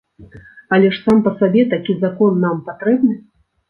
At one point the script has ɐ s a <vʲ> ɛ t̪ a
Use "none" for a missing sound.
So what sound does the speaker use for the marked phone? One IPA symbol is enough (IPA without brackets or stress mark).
bʲ